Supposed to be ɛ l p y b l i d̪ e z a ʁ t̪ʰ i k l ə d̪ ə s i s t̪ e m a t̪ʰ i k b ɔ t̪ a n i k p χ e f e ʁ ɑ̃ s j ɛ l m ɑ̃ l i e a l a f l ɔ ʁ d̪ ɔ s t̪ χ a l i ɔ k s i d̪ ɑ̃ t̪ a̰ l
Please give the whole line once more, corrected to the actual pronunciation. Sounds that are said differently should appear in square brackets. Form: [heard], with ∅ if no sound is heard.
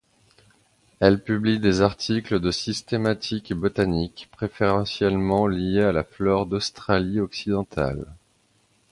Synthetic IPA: ɛ l p y b l i d̪ e z a ʁ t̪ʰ i k l ə d̪ ə s i s t̪ e m a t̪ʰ i k b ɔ t̪ a n i k p χ e f e ʁ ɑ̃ s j ɛ l m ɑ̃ l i e a l a f l ɔ ʁ d̪ ɔ s t̪ χ a l i ɔ k s i d̪ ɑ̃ t̪ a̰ l